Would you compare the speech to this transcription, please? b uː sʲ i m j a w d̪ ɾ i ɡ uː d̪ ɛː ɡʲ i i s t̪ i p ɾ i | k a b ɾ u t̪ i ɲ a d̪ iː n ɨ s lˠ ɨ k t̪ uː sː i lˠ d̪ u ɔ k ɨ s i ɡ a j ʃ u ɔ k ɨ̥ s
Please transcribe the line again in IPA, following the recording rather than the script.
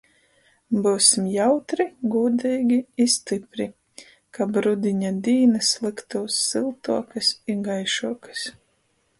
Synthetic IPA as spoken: b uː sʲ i m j a w t̪ ɾ i ɡ uː d̪ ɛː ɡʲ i i s t̪ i p ɾ i | k a b ɾ u d̪ i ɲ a d̪ iː n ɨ s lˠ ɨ k t̪ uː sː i lˠ t̪ u ɔ k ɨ s i ɡ a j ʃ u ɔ k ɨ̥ s